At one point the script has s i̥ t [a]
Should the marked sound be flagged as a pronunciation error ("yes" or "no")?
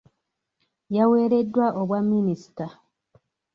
no